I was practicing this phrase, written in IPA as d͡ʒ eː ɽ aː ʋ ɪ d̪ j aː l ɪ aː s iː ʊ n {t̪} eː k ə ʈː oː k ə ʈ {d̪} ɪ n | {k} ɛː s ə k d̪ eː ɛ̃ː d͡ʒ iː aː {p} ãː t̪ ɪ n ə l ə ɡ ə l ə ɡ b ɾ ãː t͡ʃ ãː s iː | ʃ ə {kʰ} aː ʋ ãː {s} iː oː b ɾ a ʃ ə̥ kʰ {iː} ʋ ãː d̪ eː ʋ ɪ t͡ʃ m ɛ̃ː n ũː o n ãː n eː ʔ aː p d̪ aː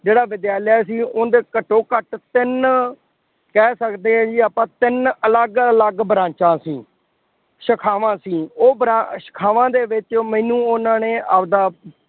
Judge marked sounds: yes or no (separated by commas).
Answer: no, no, yes, yes, yes, yes, no